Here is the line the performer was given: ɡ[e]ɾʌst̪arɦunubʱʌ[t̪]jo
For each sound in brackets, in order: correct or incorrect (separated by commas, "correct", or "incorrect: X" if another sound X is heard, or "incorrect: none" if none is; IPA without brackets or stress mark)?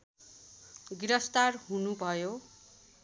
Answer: incorrect: i, incorrect: none